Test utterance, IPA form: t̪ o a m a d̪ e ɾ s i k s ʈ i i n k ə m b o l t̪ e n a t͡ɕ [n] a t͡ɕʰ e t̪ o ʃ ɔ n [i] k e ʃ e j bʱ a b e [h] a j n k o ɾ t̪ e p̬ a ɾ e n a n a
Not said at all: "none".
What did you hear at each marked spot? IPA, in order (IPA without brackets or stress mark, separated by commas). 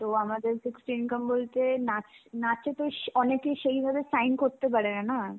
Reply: n, e, s